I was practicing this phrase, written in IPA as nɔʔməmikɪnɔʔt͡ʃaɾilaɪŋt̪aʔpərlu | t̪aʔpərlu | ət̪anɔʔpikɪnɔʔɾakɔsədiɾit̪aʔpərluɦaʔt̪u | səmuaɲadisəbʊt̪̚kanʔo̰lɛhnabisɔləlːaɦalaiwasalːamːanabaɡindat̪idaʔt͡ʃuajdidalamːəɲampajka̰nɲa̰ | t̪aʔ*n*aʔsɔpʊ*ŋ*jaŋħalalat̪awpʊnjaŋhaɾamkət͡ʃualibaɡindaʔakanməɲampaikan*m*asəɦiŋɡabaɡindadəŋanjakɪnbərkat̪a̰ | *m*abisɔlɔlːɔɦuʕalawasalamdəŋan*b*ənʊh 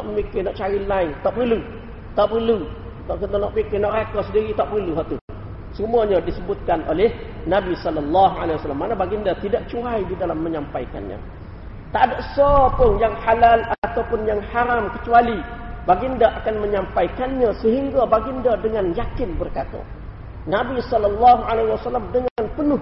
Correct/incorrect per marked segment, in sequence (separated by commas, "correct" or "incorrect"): incorrect, incorrect, incorrect, incorrect, incorrect